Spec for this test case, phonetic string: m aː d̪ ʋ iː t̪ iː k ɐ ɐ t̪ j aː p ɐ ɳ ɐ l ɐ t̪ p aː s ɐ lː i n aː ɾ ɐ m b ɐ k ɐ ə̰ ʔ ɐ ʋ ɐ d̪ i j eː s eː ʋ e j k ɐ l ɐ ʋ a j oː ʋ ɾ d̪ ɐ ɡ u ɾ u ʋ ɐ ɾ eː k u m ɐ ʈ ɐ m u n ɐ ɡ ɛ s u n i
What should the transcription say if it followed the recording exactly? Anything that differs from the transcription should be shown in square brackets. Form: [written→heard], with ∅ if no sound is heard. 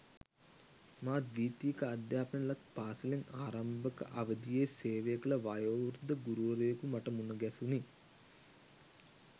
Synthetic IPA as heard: m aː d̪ ʋ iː t̪ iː k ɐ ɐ [t̪→d̪] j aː p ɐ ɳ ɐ l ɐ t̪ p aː s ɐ [lː→l] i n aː ɾ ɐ m b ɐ k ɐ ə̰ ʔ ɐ ʋ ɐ d̪ i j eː s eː ʋ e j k ɐ l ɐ ʋ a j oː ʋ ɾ d̪ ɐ ɡ u ɾ u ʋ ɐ ɾ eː k u m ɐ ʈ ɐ m u n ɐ ɡ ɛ s u n i